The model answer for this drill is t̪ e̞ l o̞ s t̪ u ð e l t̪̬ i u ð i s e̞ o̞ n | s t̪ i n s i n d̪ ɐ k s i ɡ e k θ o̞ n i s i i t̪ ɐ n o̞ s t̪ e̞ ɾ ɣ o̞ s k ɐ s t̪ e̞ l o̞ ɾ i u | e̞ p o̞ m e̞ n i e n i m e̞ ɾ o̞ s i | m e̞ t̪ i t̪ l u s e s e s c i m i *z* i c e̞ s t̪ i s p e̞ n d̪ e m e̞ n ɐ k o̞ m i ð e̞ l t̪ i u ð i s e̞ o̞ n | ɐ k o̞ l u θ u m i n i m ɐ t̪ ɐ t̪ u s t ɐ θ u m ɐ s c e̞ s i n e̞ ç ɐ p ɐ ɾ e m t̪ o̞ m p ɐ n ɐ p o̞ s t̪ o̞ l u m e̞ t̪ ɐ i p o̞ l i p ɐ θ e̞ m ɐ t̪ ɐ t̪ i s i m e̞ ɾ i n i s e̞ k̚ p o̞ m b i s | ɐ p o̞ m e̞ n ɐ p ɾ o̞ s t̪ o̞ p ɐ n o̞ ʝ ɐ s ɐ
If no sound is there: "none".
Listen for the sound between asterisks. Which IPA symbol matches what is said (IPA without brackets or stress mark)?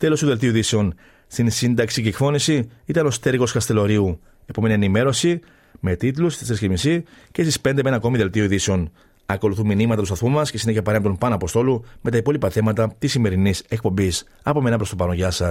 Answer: s